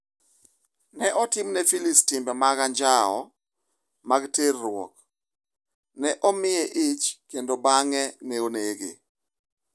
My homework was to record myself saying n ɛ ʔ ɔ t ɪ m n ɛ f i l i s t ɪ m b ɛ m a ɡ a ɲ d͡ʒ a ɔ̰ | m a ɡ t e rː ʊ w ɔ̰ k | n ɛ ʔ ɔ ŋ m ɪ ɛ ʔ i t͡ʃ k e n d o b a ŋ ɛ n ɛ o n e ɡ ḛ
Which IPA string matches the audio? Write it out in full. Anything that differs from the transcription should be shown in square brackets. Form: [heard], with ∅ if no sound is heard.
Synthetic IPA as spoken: n ɛ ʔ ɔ t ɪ m n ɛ f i l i s t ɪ m b ɛ m a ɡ a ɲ d͡ʒ a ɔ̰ | m a ɡ t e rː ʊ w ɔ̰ k | n ɛ ʔ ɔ [∅] m ɪ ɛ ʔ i t͡ʃ k e n d o b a ŋ ɛ n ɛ o n e ɡ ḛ